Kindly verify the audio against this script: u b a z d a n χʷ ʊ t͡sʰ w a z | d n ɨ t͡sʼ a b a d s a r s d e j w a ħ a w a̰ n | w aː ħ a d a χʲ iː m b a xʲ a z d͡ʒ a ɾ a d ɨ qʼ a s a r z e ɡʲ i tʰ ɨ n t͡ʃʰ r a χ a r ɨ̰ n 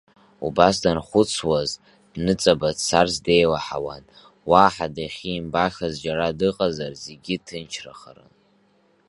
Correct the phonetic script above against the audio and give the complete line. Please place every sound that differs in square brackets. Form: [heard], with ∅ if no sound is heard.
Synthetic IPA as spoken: u b a [s] d a n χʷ ʊ t͡sʰ w a z | d n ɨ t͡sʼ a b a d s a r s d e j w a ħ a w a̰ n | w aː ħ a d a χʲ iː m b a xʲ a z d͡ʒ a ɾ a d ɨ qʼ a [z] a r z e ɡʲ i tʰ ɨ n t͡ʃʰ r a χ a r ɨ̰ n